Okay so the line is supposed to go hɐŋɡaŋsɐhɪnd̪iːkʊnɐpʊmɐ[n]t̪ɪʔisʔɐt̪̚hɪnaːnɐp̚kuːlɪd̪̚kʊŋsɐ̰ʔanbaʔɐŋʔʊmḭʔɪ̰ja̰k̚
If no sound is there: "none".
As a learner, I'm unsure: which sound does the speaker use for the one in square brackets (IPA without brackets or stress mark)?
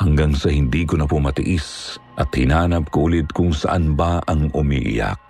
none